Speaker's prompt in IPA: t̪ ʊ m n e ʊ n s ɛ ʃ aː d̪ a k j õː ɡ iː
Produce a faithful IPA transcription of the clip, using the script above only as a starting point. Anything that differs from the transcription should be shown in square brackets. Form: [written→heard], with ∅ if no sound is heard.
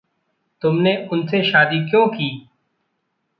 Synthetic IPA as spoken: t̪ ʊ m n e ʊ n s [ɛ→e] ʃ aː d̪ [a→i] k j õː [ɡ→k] iː